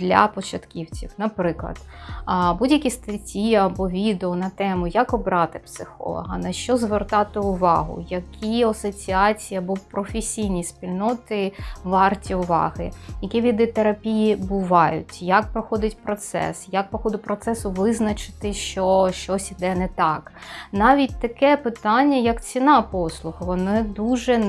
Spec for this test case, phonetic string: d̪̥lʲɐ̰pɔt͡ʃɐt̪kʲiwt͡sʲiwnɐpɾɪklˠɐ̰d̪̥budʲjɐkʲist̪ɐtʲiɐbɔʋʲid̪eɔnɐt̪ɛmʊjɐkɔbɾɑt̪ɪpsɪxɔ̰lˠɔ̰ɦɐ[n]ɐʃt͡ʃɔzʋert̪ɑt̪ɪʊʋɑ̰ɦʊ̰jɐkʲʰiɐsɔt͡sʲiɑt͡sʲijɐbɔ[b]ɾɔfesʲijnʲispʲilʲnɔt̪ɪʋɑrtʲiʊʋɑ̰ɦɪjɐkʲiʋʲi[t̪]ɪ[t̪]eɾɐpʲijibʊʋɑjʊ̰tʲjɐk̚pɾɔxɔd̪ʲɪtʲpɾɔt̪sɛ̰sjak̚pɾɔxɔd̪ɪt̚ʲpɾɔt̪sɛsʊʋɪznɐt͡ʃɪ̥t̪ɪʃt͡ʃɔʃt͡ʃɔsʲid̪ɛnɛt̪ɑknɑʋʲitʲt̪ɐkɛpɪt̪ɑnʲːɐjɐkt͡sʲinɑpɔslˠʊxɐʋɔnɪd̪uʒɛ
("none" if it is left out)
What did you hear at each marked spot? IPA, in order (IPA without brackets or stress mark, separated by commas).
n, p, d̪, t̪